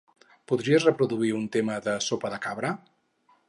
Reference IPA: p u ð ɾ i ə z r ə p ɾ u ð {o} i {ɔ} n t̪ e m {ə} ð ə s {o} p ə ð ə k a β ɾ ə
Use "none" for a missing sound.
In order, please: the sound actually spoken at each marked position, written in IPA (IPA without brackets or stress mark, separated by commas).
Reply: u, u, ə, o